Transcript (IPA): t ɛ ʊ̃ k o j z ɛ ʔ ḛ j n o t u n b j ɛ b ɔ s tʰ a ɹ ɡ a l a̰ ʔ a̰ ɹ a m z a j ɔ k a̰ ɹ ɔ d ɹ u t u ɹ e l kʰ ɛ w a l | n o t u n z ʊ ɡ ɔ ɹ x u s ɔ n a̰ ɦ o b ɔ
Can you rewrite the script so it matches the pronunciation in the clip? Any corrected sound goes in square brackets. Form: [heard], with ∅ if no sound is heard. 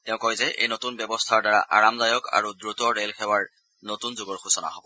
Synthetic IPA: t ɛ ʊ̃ k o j z ɛ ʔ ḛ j n o t u n b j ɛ b ɔ s tʰ a ɹ [d] a [ɹ] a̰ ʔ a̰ ɹ a m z a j ɔ k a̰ ɹ [u] d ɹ u t [ɔ] ɹ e l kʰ ɛ w a [ɹ] | n o t u n z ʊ ɡ ɔ ɹ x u s ɔ n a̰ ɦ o b ɔ